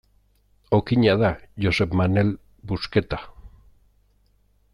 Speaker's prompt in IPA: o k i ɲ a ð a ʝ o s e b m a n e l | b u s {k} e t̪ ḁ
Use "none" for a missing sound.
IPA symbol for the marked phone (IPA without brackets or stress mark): k